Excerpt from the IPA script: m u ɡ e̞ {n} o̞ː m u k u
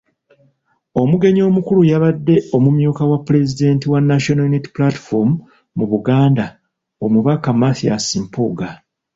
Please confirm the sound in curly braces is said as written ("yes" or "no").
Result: no